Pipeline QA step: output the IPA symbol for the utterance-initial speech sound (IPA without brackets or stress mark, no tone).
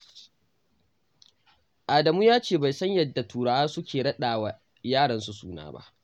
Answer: ʔ